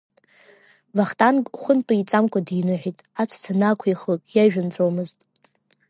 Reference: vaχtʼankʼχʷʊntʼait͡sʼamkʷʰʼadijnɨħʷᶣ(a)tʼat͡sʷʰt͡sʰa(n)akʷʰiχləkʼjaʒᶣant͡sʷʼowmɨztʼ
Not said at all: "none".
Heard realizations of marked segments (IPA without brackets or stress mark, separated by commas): i, n